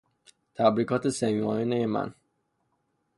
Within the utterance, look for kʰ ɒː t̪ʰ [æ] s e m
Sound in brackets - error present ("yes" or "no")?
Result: yes